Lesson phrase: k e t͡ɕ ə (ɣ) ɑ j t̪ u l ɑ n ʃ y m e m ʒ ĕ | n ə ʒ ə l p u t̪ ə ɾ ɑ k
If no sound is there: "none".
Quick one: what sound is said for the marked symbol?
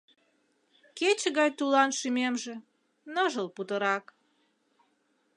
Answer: ɣ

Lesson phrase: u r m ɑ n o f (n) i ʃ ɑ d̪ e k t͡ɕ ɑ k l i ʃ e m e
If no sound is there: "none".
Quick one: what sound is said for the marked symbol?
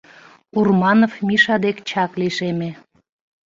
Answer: m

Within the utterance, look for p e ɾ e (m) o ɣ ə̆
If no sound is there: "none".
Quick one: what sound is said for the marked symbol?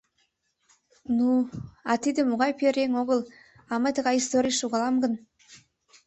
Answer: ŋ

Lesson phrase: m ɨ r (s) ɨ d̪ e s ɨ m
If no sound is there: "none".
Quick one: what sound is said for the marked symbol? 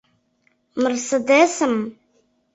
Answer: s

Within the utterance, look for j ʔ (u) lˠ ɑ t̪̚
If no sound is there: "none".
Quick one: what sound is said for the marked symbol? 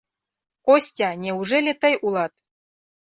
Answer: u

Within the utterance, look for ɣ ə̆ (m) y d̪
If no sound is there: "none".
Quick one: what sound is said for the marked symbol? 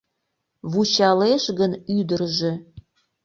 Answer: n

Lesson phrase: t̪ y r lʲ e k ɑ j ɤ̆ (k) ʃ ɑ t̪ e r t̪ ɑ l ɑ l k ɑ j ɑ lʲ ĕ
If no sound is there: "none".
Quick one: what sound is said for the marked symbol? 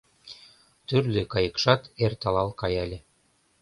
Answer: k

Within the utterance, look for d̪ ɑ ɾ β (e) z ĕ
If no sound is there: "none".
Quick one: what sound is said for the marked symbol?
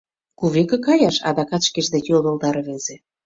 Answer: e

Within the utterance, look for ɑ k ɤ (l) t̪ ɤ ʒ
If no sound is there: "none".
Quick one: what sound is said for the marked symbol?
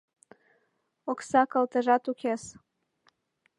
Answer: l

